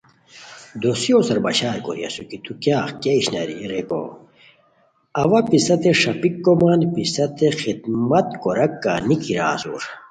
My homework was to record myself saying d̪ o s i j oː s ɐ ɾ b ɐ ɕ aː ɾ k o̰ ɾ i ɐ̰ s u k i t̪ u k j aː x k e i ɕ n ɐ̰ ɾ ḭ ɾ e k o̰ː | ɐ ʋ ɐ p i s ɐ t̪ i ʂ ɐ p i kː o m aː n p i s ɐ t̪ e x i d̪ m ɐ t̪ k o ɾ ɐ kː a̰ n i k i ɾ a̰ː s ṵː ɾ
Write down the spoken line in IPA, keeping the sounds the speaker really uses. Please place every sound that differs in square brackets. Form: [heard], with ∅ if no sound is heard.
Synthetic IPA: d̪ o s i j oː s ɐ ɾ b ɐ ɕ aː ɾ k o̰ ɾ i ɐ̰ s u k i t̪ u k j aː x k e i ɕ n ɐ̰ ɾ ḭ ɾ e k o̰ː | ɐ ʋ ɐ p i s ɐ t̪ [e] ʂ ɐ p i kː o m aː n p i s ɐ t̪ e x i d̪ m ɐ t̪ k o ɾ ɐ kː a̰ n i k i ɾ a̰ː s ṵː ɾ

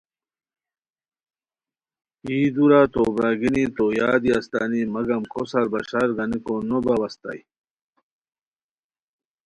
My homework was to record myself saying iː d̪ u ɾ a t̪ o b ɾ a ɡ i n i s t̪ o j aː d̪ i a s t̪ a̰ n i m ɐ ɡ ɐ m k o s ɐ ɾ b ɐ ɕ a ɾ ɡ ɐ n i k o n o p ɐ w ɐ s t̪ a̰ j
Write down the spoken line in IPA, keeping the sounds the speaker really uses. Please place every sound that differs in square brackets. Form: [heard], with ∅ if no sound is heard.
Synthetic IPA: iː d̪ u ɾ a t̪ o b ɾ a ɡ i n i [∅] t̪ o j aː d̪ i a s t̪ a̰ n i m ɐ ɡ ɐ m k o s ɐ ɾ b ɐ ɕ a ɾ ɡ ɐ n i k o n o [b] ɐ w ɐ s t̪ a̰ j

